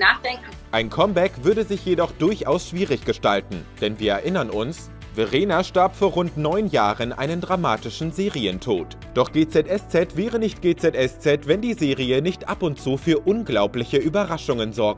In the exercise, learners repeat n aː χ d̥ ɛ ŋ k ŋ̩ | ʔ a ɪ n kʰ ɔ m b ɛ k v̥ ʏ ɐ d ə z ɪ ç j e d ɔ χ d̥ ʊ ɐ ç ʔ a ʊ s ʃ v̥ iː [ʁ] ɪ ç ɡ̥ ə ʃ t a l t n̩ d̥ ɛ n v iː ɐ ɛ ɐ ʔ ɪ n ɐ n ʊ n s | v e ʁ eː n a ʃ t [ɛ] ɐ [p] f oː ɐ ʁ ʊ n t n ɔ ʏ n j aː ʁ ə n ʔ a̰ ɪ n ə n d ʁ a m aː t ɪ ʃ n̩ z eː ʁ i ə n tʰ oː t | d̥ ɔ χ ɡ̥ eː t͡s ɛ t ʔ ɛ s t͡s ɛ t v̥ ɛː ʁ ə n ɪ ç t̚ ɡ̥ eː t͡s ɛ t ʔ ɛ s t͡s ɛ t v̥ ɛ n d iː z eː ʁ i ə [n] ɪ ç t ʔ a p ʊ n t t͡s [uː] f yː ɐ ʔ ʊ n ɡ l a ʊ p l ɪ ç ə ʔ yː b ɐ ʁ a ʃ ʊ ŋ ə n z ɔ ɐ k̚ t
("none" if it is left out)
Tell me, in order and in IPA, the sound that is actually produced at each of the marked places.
ʁ, a, p, n, uː

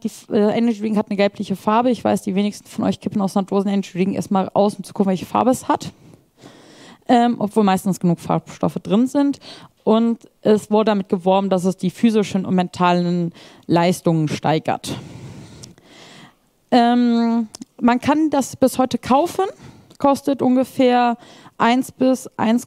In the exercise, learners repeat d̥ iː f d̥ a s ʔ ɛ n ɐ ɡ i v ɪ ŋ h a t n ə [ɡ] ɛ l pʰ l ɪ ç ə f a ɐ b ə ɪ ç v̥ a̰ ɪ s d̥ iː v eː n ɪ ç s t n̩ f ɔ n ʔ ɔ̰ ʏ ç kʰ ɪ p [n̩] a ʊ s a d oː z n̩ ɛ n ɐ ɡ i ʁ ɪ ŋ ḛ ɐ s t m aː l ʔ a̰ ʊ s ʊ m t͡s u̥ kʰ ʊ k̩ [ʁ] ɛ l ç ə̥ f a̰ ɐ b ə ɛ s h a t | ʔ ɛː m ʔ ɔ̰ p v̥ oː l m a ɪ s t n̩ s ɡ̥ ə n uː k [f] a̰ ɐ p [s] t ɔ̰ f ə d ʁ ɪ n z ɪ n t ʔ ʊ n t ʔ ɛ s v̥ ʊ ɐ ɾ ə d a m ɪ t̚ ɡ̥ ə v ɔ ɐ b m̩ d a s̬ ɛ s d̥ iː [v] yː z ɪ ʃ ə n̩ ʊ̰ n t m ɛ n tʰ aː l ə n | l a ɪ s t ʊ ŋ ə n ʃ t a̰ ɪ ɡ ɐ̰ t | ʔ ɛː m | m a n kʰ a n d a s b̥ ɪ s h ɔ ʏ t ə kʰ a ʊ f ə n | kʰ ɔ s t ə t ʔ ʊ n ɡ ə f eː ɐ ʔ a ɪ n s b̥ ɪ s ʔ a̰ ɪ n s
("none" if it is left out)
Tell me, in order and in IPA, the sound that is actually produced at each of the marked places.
ɡ, n̩, v, f, ʃ, f

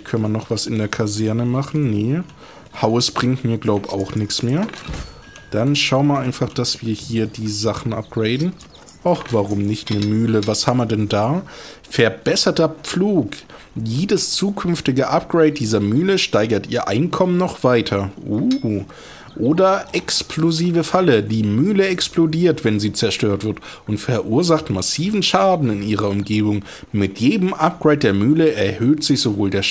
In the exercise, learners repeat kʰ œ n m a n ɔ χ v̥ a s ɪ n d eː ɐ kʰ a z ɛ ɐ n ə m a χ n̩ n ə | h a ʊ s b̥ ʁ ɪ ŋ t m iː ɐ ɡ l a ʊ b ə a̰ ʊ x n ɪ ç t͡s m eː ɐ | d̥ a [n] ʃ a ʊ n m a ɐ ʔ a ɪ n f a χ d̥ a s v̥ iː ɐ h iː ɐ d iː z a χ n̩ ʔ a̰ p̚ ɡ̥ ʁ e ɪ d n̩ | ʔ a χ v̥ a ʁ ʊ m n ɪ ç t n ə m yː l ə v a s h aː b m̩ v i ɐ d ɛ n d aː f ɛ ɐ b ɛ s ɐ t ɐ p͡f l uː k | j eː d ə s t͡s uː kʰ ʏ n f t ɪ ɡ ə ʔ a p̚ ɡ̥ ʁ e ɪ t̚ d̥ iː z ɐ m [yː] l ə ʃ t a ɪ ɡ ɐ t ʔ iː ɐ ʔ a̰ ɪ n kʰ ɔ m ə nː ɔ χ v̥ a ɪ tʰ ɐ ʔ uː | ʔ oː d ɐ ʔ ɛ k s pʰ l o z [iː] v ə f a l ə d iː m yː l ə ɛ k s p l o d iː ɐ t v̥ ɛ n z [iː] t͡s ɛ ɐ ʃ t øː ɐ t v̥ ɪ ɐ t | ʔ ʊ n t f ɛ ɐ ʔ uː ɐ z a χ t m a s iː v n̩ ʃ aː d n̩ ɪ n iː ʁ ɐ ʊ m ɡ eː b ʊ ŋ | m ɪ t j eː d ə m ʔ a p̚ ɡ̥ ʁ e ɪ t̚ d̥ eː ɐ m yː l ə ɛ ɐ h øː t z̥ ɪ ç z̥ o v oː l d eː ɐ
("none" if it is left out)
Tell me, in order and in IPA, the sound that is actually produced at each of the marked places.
n, yː, iː, iː

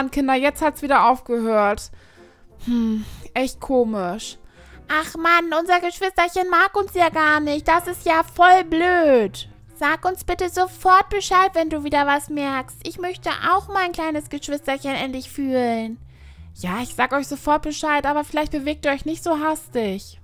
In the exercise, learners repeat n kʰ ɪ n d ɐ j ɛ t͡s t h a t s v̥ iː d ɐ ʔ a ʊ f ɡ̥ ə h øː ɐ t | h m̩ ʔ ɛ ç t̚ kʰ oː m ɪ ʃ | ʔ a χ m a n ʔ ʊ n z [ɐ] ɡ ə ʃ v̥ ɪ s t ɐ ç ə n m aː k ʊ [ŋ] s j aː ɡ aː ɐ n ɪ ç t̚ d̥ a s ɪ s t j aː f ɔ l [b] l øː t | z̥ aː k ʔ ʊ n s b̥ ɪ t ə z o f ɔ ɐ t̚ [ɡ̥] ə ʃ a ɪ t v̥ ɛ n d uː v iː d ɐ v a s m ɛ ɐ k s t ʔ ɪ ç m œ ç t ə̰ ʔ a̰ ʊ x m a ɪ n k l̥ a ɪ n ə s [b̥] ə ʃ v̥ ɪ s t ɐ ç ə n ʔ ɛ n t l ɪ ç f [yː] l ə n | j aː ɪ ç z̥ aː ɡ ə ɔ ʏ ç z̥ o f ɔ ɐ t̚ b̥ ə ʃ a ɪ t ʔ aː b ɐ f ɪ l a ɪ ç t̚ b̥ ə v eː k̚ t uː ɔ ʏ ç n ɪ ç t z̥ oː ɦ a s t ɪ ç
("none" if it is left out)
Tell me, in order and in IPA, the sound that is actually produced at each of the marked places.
ɐ, n, b, b̥, ɡ̥, yː

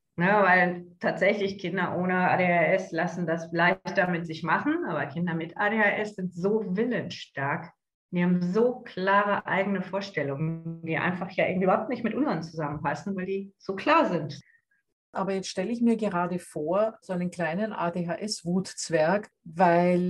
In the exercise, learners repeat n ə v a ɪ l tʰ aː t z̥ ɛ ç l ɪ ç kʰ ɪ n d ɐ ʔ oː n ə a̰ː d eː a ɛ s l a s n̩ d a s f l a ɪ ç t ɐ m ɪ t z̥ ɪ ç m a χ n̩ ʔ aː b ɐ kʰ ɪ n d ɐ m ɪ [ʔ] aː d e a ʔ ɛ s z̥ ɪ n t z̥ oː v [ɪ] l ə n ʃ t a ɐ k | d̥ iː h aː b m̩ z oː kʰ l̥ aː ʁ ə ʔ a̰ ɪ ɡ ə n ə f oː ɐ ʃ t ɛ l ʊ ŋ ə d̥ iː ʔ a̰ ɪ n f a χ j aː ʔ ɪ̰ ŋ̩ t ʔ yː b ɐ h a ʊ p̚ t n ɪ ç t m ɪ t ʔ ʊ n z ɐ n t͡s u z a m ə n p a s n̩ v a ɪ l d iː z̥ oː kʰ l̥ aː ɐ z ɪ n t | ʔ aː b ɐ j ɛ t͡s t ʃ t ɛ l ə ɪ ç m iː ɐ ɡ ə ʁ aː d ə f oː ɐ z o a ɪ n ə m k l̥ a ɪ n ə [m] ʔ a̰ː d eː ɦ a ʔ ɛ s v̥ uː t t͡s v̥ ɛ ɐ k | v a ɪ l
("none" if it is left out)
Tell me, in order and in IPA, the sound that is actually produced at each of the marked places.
t, ɪ, n

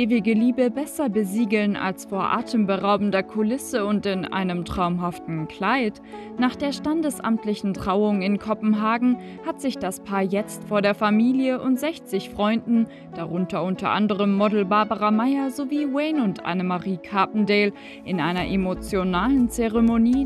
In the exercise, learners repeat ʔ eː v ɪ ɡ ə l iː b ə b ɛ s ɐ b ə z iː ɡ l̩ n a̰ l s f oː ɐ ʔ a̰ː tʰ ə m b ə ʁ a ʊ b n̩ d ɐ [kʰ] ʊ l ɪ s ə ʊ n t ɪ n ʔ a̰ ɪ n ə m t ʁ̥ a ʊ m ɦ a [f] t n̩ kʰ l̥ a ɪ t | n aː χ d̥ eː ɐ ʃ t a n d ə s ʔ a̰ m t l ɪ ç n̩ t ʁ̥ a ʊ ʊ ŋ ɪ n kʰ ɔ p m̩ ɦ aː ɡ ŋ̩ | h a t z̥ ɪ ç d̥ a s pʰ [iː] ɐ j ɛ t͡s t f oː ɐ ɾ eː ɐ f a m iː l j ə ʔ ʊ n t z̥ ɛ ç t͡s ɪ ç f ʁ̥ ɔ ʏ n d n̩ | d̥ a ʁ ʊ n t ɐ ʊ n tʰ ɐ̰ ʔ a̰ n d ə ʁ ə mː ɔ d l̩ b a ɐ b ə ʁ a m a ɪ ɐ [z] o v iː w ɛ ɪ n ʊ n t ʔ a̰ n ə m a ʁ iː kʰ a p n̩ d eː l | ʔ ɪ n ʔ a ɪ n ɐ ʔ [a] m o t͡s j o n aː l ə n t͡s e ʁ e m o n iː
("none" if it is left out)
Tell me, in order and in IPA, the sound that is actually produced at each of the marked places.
kʰ, f, aː, z, e

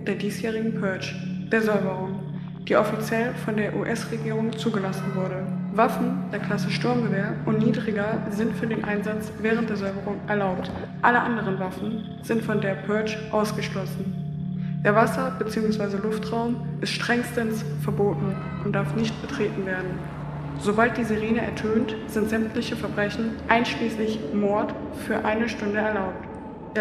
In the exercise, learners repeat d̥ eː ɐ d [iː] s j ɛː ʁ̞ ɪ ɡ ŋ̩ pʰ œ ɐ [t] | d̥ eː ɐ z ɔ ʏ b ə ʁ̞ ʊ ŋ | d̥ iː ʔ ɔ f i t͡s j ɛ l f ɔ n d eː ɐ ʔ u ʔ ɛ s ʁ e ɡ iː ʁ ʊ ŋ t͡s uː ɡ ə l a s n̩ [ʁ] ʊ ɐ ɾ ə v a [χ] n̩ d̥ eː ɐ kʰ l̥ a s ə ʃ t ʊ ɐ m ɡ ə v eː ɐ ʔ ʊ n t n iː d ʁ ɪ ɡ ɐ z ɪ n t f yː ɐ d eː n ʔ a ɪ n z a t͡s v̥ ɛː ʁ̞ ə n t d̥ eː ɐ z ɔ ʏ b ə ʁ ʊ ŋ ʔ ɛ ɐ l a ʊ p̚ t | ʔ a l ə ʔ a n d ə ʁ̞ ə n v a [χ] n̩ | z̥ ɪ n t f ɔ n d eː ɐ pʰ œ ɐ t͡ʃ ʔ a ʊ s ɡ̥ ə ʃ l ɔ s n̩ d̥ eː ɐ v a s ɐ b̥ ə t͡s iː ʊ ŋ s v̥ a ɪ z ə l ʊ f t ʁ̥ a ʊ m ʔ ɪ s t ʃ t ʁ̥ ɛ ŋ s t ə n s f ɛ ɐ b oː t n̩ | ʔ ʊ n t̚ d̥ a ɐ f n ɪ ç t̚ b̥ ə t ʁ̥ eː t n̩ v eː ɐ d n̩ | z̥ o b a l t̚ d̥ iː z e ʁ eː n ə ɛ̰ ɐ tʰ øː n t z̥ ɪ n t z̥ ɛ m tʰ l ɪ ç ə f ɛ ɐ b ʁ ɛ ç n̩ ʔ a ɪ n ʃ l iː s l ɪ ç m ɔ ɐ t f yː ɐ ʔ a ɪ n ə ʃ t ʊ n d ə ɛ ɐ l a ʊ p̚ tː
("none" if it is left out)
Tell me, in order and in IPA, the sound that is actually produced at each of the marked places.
iː, t͡ʃ, v, f, f

